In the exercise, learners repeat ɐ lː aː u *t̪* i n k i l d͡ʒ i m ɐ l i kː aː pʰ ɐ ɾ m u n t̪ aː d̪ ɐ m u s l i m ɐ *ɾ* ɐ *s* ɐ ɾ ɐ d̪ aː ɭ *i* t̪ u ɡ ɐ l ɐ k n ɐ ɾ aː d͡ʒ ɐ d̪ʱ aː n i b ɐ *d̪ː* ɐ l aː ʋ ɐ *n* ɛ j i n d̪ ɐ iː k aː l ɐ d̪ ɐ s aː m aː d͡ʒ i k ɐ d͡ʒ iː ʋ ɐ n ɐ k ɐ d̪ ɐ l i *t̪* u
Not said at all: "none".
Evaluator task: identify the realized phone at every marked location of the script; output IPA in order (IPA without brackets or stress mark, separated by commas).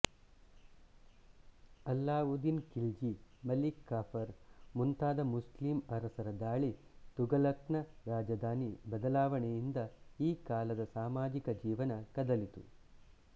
d̪, ɾ, s, i, d̪, ɳ, t̪